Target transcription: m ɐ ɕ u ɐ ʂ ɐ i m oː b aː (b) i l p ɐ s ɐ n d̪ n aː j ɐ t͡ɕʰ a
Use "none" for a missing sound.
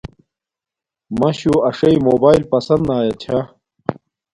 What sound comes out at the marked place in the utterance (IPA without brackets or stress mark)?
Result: none